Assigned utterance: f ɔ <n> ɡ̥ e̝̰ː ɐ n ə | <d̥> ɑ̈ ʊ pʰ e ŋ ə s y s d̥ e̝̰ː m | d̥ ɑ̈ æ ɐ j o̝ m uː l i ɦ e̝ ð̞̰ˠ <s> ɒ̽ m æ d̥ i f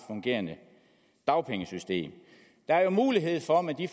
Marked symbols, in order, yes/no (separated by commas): no, yes, no